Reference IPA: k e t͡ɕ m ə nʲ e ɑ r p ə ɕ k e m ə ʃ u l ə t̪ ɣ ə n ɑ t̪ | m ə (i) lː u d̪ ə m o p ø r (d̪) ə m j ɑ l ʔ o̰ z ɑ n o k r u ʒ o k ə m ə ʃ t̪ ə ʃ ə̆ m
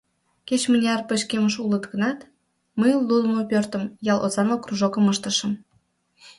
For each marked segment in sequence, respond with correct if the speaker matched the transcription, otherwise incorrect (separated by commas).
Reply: incorrect, incorrect